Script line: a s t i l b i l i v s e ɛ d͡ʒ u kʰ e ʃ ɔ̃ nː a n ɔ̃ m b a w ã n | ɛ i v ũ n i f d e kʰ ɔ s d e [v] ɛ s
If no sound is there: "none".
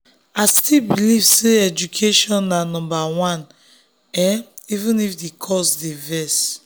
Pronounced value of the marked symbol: v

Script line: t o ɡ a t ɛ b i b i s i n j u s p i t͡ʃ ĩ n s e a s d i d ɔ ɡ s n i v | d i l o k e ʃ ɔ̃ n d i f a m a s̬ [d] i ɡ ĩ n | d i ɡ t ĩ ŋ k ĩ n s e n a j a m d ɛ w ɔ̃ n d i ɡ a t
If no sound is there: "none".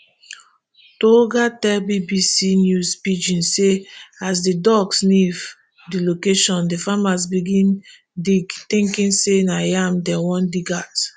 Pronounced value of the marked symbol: b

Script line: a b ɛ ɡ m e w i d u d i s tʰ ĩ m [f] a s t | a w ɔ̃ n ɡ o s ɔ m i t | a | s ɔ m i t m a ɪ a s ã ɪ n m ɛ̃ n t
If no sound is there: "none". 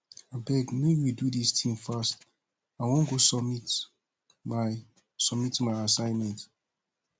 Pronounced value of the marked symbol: f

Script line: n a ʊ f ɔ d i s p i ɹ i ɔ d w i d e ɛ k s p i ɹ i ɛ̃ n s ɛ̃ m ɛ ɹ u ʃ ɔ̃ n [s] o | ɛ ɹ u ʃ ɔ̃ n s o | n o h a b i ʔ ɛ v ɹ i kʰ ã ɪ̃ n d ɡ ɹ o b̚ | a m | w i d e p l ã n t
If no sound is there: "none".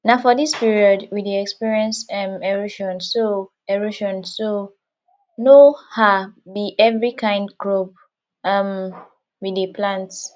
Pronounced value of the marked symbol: s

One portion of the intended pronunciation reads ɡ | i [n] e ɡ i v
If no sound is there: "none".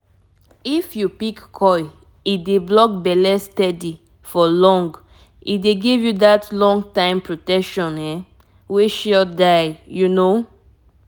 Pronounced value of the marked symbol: d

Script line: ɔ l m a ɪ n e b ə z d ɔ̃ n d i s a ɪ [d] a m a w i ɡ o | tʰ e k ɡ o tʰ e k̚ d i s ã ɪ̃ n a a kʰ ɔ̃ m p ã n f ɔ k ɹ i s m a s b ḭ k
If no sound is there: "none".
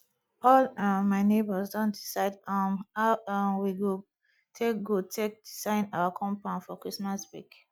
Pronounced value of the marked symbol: d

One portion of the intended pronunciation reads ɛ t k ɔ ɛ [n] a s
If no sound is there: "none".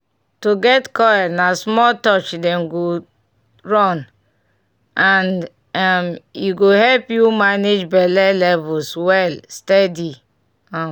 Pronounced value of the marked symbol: n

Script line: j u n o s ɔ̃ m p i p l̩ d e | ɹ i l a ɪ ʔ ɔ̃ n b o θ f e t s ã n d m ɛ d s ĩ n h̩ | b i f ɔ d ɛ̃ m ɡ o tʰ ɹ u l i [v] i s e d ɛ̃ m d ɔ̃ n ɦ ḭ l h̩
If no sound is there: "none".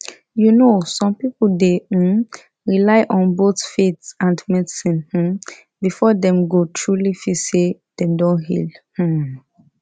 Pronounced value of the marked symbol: f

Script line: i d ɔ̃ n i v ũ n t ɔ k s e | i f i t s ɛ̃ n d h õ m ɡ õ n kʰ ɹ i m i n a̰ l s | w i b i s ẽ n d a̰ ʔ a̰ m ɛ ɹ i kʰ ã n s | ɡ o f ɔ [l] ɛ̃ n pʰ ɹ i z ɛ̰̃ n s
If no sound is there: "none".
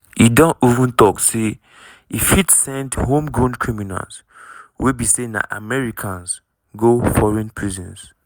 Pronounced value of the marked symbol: ɹ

